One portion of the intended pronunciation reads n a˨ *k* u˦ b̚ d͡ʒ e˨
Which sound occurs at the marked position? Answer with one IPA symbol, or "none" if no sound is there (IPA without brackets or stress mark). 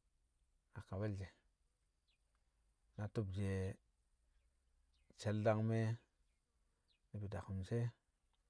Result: t